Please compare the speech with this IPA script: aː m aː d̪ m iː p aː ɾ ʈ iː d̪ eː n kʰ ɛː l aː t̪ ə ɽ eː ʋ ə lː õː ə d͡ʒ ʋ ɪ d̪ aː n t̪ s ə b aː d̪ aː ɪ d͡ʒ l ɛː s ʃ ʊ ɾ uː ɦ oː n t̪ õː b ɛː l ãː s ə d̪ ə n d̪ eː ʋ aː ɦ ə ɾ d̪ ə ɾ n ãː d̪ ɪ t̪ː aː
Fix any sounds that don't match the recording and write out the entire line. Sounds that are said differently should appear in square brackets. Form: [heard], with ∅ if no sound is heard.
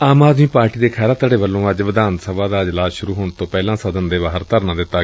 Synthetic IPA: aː m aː d̪ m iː p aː ɾ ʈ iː d̪ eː [∅] kʰ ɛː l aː t̪ ə ɽ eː ʋ ə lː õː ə d͡ʒ ʋ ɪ d̪ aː n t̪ s ə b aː d̪ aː ɪ d͡ʒ l [aː] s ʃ ʊ ɾ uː ɦ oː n t̪ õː [p] ɛː l ãː s ə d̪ ə n d̪ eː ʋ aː ɦ ə ɾ [t̪] ə ɾ n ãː d̪ ɪ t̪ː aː

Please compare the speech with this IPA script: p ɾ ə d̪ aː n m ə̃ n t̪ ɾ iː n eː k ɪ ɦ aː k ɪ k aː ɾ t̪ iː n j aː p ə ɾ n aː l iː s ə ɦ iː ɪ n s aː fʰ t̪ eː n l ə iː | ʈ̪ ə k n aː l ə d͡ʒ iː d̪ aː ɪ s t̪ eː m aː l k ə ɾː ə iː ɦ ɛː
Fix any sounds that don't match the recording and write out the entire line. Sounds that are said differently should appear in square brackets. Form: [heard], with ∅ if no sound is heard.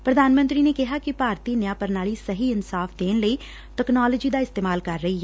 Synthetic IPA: p ɾ ə d̪ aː n m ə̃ n t̪ ɾ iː n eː k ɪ ɦ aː k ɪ [p] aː ɾ t̪ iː n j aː p ə ɾ n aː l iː s ə ɦ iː ɪ n s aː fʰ [d̪] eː n l ə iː | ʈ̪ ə k n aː l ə d͡ʒ iː d̪ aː ɪ s t̪ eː m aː l k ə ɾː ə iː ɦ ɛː

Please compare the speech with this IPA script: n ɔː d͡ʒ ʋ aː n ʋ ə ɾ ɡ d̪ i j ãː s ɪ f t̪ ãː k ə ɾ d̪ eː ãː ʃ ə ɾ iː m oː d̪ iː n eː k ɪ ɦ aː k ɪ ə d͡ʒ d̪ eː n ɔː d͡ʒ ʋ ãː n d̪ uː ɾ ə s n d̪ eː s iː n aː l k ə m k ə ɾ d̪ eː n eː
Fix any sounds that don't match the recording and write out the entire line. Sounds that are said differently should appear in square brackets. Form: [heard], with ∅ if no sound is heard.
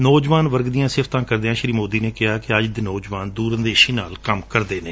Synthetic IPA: n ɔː d͡ʒ ʋ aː n ʋ ə ɾ ɡ d̪ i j ãː s ɪ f t̪ ãː k ə ɾ d̪ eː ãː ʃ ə ɾ iː m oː d̪ iː n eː k ɪ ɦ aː k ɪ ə d͡ʒ d̪ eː n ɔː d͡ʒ ʋ [aː] n d̪ uː ɾ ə [∅] n d̪ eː [ʃ] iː n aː l k ə m k ə ɾ d̪ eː n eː

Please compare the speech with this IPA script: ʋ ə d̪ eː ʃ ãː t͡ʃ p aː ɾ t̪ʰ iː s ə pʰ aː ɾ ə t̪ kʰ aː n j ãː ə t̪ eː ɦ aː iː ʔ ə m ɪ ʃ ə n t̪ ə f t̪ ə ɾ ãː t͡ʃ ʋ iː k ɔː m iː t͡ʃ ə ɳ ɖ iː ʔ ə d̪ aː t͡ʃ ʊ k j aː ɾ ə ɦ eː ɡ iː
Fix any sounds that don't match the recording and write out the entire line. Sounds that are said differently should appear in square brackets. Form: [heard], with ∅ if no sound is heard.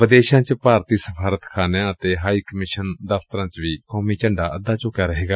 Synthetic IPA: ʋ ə d̪ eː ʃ ãː t͡ʃ p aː ɾ [t̪] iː s ə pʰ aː ɾ ə t̪ kʰ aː n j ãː ə t̪ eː ɦ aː iː [k] ə m ɪ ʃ ə n [d̪] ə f t̪ ə ɾ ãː t͡ʃ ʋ iː k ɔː m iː t͡ʃ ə ɳ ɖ [aː] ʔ ə d̪ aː t͡ʃ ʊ k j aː ɾ ə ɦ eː ɡ [aː]

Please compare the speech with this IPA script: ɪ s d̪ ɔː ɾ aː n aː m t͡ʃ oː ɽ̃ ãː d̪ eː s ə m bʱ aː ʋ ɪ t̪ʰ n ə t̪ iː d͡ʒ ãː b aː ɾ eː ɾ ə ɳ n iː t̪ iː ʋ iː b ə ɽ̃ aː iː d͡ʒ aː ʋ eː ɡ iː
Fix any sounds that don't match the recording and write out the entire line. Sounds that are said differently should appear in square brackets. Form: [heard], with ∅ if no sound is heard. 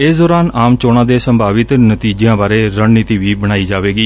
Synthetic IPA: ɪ s d̪ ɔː ɾ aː n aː m t͡ʃ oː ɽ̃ ãː d̪ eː s ə m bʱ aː ʋ ɪ [t̪] n ə t̪ iː d͡ʒ ãː b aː ɾ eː ɾ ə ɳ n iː t̪ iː ʋ iː b ə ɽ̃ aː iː d͡ʒ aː ʋ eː ɡ iː

